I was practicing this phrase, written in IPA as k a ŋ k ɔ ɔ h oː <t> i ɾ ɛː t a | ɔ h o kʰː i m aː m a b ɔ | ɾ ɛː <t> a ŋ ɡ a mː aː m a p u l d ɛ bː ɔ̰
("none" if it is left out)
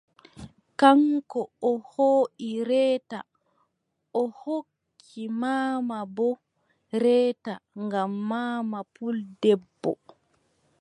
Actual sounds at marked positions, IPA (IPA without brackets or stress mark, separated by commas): ʔ, t